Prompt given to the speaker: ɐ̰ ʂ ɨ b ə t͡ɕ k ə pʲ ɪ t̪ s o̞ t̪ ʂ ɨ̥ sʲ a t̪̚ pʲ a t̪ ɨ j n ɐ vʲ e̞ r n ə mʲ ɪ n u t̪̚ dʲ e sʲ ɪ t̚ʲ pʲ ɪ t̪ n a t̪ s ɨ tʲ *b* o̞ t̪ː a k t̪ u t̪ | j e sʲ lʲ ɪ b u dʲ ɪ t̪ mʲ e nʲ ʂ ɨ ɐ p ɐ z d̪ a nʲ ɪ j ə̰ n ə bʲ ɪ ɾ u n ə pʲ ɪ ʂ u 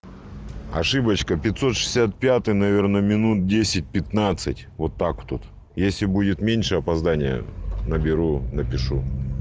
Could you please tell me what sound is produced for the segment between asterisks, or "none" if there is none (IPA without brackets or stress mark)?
v